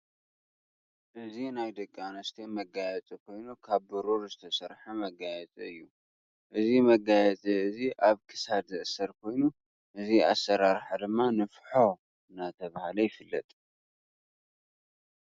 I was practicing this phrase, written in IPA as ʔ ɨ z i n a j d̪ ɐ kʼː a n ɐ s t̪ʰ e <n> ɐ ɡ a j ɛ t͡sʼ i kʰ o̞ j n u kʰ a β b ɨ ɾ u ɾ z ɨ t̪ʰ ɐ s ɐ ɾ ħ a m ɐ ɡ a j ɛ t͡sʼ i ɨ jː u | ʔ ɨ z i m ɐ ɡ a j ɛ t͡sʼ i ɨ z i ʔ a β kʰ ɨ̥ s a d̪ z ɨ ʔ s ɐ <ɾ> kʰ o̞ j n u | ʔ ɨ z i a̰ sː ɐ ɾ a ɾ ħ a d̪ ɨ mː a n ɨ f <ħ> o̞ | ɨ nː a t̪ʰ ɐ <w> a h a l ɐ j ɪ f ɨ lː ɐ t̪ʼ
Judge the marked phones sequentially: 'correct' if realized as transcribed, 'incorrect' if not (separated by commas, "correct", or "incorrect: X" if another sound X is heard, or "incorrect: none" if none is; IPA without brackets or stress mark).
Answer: incorrect: m, correct, correct, incorrect: β